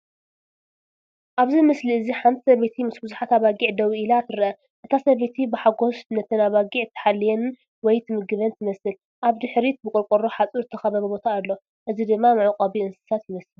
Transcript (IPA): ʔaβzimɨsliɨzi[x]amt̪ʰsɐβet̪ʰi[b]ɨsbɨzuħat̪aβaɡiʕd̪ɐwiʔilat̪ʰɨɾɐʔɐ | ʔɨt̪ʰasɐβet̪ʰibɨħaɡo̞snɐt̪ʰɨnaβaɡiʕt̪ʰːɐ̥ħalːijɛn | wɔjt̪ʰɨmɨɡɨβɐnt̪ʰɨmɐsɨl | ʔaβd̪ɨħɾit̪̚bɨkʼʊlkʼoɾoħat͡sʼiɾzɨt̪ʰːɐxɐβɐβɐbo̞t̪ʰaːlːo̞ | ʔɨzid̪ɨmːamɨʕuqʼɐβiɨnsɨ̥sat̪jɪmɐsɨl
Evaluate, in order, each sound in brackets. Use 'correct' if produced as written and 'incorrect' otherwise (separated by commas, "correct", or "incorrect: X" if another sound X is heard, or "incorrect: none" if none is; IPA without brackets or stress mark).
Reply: incorrect: ħ, incorrect: m